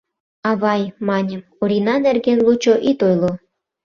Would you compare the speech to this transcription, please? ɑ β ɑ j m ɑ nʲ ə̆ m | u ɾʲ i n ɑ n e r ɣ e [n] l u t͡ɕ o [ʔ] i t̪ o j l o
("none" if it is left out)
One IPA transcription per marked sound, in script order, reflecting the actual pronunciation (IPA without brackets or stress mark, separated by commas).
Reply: n, ʔ